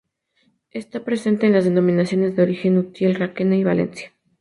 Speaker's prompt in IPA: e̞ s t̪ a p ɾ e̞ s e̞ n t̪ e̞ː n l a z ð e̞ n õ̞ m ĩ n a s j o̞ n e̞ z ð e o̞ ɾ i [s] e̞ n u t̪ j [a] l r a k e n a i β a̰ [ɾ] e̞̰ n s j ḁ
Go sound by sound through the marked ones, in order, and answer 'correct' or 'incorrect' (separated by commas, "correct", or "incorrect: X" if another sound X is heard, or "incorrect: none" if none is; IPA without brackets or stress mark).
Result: incorrect: x, incorrect: e, incorrect: l